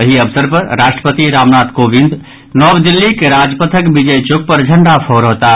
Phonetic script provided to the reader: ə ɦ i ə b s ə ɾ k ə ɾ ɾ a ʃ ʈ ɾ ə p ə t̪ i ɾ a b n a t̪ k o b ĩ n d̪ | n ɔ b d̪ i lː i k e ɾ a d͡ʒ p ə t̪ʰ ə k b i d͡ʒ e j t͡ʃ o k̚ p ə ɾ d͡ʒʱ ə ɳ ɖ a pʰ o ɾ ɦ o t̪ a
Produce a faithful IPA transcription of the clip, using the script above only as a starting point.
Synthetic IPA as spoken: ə ɦ i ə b s ə ɾ p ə ɾ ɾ a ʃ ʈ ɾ ə p ə t̪ i ɾ a m n a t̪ k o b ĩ n d̪ | n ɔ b d̪ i lː i k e ɾ a d͡ʒ p ə t̪ʰ ə k b i d͡ʒ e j t͡ʃ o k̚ p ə ɾ d͡ʒʱ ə ɳ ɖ a pʰ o ɾ ɦ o t̪ a